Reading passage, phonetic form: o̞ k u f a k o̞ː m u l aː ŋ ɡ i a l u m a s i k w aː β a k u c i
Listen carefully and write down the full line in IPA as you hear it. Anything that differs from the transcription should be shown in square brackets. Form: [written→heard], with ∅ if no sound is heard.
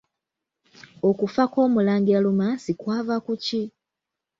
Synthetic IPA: o̞ k u f a k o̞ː m u l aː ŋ ɡ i a l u m a s i k w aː [β→v] a k u c i